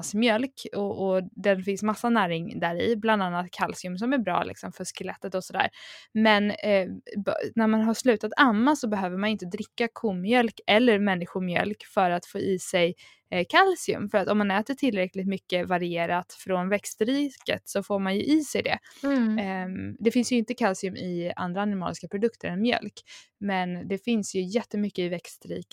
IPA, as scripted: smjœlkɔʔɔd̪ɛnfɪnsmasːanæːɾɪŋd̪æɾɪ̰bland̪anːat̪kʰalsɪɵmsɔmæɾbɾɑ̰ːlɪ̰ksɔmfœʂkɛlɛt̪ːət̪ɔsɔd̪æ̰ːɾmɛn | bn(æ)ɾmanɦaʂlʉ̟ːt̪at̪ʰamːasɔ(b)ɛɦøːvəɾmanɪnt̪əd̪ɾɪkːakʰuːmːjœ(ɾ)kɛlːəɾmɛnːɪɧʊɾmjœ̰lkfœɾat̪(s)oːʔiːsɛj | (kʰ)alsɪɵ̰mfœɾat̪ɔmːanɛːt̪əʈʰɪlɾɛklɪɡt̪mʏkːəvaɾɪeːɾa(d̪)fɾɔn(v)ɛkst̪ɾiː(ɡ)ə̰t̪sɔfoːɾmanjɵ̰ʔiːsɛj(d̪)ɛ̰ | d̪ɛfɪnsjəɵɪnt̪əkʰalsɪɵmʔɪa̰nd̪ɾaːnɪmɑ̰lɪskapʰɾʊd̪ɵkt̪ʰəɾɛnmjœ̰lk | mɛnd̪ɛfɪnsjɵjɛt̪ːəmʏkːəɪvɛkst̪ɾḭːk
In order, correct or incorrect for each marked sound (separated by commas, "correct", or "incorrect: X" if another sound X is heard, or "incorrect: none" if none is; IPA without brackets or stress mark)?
correct, correct, incorrect: l, incorrect: f, correct, incorrect: t̪, correct, incorrect: k, correct